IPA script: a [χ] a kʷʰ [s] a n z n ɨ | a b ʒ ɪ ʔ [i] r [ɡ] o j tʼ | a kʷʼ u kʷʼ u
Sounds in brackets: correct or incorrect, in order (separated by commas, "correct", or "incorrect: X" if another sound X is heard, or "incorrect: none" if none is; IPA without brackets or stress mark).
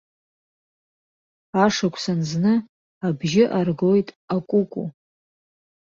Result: incorrect: ʂ, correct, incorrect: a, correct